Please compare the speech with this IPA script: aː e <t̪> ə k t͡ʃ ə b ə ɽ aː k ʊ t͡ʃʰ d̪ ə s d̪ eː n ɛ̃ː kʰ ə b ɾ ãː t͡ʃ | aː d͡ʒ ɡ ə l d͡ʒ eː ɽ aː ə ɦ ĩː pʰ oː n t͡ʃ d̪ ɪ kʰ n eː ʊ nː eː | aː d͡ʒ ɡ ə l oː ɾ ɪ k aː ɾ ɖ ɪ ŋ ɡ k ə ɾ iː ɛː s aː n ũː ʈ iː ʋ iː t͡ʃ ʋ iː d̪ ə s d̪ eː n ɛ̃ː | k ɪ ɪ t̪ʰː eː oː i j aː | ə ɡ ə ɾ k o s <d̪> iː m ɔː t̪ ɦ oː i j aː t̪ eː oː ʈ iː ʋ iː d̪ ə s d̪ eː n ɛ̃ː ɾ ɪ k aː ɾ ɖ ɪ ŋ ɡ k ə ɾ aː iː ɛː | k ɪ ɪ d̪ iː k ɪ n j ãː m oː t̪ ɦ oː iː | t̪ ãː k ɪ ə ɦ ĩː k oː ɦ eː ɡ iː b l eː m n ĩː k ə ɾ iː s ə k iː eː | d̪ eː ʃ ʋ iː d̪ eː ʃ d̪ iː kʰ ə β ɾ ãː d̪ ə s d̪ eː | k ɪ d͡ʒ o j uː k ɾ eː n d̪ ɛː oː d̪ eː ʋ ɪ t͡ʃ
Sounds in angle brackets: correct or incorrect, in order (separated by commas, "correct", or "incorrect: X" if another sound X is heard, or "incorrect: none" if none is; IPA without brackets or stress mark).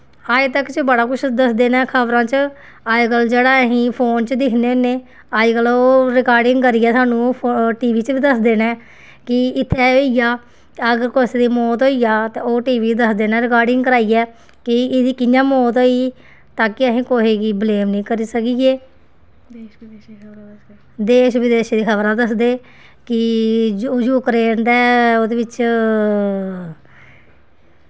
correct, correct